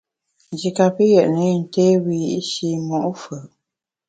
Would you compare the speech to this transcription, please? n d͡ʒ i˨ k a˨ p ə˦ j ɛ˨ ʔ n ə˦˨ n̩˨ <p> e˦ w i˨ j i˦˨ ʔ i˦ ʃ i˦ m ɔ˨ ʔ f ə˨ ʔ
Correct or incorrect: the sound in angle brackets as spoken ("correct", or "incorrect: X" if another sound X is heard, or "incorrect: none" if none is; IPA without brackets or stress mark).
incorrect: t